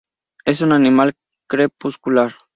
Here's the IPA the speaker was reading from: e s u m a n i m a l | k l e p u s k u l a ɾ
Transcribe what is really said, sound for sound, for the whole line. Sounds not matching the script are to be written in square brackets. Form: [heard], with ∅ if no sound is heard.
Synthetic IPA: e s u [n] a n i m a l | k [ɾ] e p u s k u l a ɾ